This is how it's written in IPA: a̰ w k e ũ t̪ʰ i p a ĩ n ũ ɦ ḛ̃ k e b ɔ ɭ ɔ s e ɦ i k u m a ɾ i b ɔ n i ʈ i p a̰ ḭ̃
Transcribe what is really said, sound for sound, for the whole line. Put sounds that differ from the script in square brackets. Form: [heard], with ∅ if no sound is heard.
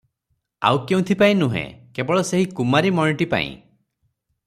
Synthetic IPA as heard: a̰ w k e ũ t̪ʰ i p a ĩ n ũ ɦ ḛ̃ k e b ɔ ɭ ɔ s e ɦ i k u m a ɾ i [m] ɔ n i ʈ i p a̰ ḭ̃